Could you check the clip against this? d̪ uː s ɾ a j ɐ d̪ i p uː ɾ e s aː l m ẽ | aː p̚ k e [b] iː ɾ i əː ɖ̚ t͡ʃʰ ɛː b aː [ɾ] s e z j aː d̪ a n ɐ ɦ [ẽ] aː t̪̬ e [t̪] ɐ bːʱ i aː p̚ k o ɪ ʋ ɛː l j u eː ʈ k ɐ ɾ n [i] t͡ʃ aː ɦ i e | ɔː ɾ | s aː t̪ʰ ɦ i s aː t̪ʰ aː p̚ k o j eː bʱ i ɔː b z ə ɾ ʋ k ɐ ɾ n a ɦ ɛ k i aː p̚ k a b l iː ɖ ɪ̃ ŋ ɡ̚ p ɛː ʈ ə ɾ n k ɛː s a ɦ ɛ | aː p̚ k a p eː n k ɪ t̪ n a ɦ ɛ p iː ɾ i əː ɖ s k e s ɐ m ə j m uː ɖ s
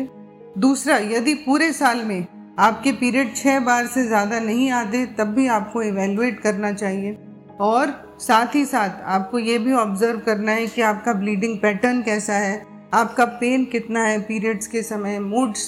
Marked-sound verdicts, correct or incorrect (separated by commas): incorrect, correct, incorrect, correct, incorrect